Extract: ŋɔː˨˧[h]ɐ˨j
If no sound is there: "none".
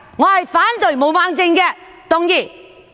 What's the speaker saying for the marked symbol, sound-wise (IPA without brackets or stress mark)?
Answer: h